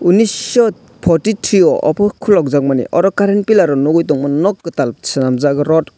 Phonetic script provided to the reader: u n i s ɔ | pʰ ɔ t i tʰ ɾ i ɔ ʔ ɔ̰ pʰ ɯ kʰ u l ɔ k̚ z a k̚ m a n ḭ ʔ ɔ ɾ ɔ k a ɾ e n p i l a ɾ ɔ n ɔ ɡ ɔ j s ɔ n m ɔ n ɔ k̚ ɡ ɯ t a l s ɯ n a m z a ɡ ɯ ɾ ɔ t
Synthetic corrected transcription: u n i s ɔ | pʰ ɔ t i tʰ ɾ i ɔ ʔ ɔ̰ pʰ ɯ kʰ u l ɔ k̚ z a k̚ m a n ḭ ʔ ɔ ɾ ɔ k a ɾ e n p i l a ɾ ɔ n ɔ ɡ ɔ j t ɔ ŋ m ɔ n ɔ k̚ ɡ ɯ t a l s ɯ n a m z a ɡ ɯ ɾ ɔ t